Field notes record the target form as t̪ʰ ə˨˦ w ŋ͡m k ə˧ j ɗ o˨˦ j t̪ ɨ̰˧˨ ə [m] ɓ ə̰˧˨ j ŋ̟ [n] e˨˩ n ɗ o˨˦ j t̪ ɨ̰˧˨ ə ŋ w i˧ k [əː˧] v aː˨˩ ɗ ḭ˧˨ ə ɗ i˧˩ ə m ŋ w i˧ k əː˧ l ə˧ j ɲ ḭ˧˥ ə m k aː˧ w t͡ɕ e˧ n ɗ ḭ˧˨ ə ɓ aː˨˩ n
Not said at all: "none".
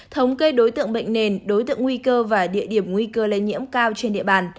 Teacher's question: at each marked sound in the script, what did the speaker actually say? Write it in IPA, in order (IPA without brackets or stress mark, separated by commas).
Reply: ŋ, n, əː˧